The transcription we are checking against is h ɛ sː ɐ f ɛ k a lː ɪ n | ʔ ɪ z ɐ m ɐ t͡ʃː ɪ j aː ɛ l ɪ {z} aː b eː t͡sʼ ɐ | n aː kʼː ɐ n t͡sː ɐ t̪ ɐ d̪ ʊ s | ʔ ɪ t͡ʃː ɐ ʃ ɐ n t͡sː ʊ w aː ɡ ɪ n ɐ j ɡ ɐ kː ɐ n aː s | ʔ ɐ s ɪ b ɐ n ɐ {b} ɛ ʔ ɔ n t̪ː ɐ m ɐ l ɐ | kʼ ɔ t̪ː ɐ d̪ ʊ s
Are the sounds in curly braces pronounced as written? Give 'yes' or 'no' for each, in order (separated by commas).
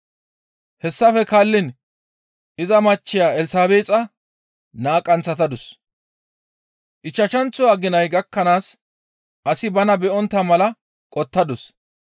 no, yes